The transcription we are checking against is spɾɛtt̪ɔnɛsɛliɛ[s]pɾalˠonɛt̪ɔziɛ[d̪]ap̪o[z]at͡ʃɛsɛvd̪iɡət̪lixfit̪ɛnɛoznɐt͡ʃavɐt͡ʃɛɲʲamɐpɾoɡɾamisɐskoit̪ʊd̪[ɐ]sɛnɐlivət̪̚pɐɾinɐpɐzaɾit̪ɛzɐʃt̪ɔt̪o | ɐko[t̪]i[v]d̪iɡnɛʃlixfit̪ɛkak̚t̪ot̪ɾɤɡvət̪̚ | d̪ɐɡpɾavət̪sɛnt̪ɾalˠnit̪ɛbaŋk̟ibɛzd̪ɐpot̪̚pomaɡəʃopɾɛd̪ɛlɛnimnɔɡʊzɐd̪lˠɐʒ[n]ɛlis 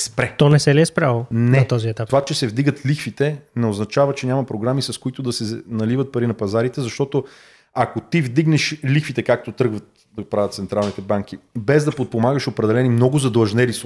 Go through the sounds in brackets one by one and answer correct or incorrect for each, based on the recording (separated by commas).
correct, incorrect, incorrect, correct, correct, correct, correct